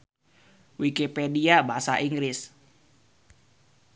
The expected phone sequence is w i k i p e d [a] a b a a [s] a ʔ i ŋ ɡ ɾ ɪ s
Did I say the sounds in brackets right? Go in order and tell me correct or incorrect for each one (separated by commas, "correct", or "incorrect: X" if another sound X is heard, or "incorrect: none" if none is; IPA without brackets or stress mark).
incorrect: i, correct